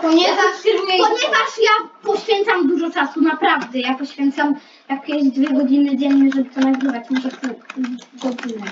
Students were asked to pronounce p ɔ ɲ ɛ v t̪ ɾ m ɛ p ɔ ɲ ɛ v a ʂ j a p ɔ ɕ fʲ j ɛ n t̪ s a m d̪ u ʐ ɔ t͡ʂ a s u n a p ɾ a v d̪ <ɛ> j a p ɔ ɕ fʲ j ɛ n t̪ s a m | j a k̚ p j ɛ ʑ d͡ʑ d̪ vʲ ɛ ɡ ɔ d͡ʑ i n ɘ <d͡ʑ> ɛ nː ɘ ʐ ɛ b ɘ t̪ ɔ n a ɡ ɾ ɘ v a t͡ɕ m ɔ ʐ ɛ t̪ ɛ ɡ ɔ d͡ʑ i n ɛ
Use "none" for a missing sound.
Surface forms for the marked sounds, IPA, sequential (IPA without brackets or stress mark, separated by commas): ɛ, d͡ʑ